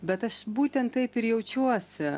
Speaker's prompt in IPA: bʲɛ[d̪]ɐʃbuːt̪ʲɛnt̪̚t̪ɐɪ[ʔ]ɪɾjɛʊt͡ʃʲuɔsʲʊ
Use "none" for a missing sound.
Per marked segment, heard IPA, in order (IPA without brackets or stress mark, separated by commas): t̪, p